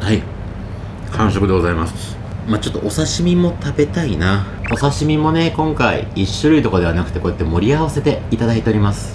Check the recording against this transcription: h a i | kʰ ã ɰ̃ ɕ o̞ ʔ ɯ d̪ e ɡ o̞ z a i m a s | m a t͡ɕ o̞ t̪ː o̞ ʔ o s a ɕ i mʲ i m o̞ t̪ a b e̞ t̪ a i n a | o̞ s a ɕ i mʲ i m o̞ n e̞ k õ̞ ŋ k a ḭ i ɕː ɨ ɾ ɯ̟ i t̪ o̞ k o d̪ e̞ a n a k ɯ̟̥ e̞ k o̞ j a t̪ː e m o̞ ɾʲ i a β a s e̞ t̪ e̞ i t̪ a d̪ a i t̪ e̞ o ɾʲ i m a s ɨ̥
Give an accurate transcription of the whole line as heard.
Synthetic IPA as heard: h a i | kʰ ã ɰ̃ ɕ o̞ k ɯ d̪ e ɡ o̞ z a i m a s | m a t͡ɕ o̞ t̪ː o̞ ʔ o s a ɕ i mʲ i m o̞ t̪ a b e̞ t̪ a i n a | o̞ s a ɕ i mʲ i m o̞ n e̞ k õ̞ ŋ k a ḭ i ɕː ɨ ɾ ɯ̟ i t̪ o̞ k o d̪ e̞ a n a k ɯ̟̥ e̞ k o̞ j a t̪ː e m o̞ ɾʲ i a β a s e̞ t̪ e̞ i t̪ a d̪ a i t̪ e̞ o ɾʲ i m a s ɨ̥